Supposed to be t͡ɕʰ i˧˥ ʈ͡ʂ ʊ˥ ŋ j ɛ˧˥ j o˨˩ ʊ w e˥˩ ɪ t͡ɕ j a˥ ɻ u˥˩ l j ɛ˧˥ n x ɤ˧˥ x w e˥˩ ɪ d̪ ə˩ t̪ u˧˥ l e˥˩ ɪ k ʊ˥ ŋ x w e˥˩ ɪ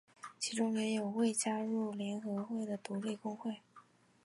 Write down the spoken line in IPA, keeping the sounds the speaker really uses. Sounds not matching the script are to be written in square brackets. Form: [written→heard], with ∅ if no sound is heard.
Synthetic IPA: t͡ɕʰ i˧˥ ʈ͡ʂ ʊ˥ ŋ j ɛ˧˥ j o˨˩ ʊ w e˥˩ ɪ t͡ɕ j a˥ ɻ u˥˩ l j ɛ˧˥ n x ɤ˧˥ x w e˥˩ ɪ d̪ ə˩ t̪ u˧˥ l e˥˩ ɪ k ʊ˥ ŋ x w e˥˩ ɪ

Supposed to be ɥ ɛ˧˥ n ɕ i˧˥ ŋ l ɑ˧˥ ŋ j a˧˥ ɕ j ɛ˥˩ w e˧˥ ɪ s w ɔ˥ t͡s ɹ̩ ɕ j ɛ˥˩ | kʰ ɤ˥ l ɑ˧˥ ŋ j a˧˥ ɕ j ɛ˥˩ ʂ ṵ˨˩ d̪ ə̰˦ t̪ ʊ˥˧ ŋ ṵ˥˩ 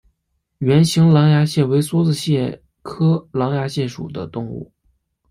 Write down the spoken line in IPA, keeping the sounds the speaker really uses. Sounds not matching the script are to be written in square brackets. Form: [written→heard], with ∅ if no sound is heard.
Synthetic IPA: ɥ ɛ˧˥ n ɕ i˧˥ ŋ l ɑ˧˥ ŋ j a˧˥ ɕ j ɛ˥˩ w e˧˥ ɪ s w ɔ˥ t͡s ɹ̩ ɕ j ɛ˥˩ | kʰ ɤ˥ l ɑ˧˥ ŋ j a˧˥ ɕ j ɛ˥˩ ʂ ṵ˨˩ d̪ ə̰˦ t̪ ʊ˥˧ ŋ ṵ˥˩

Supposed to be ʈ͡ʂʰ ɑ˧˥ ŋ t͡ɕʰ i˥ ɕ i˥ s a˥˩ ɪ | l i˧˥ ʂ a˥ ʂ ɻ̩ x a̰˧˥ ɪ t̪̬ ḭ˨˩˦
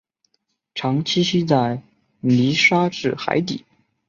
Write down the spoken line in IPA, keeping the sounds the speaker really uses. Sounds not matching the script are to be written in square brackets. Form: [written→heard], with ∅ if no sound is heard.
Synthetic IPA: ʈ͡ʂʰ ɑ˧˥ ŋ t͡ɕʰ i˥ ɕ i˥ [s→t͡s] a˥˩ ɪ | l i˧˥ ʂ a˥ [ʂ→ʈ͡ʂ] ɻ̩ x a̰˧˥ ɪ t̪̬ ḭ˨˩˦

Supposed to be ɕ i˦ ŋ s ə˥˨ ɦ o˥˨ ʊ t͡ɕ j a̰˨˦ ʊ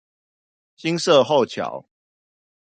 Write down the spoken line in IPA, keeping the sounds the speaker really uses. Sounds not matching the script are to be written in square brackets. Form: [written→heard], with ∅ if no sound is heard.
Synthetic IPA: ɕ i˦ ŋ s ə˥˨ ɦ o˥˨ ʊ [t͡ɕ→t͡ɕʰ] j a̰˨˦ ʊ

